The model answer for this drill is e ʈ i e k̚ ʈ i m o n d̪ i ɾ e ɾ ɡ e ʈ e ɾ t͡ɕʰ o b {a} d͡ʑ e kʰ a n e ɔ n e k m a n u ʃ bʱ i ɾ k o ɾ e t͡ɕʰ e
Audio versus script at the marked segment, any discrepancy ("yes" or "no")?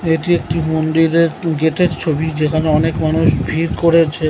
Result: yes